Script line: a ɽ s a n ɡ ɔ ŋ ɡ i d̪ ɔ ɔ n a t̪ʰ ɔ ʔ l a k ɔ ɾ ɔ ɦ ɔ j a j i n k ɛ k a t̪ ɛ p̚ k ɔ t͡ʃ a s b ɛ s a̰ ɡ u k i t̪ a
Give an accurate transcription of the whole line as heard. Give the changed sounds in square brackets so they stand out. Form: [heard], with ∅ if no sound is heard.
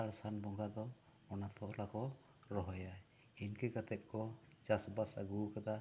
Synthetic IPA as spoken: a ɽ s a n [b] ɔ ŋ ɡ [a] d̪ ɔ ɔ n a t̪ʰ ɔ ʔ l a k ɔ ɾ ɔ ɦ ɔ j a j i n k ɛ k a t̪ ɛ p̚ k ɔ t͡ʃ a s b [a] s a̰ ɡ u k [a] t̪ a